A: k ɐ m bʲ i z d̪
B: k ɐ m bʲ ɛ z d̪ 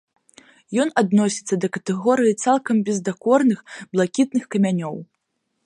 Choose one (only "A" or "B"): B